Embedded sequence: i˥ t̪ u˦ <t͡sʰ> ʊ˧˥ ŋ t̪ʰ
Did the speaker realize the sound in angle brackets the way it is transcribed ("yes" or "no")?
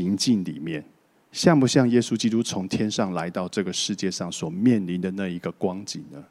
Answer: yes